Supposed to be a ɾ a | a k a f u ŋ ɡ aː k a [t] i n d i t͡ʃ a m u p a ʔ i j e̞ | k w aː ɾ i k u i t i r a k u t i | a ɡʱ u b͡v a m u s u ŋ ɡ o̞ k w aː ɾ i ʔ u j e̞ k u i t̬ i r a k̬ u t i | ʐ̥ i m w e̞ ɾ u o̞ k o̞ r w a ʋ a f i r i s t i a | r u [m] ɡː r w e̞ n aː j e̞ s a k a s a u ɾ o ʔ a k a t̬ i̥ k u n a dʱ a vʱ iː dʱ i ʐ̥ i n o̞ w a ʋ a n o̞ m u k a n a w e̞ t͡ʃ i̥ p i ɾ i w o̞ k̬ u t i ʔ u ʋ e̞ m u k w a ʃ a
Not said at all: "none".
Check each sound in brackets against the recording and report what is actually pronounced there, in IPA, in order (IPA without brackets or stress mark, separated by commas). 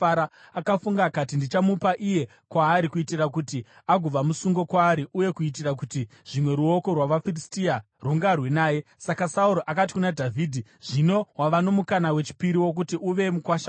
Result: t, ŋ